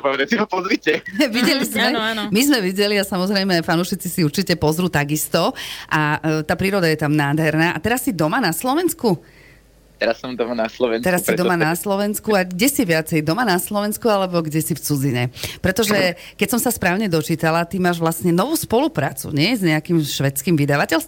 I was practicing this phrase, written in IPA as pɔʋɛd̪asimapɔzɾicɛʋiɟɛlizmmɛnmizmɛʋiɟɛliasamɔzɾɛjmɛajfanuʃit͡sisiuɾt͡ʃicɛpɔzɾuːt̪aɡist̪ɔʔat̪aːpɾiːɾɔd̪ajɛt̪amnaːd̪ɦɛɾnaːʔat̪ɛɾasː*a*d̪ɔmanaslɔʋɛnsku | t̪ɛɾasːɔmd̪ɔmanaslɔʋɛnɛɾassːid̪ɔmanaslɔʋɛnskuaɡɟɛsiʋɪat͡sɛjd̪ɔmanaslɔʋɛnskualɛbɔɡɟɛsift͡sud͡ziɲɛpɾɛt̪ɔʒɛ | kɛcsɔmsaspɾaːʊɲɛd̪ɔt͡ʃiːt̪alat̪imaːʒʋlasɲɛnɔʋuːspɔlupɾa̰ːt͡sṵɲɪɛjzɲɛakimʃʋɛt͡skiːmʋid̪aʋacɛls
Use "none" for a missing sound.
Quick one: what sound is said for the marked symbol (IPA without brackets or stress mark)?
i